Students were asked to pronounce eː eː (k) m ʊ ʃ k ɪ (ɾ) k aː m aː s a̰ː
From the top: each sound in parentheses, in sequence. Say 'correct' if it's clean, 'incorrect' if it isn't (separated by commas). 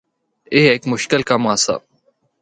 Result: correct, incorrect